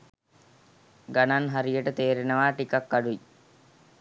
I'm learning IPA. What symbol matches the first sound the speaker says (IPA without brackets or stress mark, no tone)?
ɡ